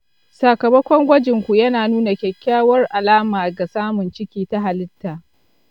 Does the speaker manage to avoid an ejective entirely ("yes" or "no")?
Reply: yes